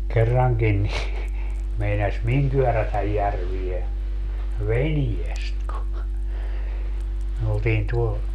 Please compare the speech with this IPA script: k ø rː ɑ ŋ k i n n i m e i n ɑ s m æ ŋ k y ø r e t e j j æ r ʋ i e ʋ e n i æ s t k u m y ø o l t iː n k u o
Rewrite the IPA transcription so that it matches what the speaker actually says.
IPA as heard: k e rː ɑ ŋ k i n n i m e i n ɑ s m i ŋ k y ø r æ t æ j j æ r ʋ i e ʋ e n i e s t k u m y ø o l t iː n t u o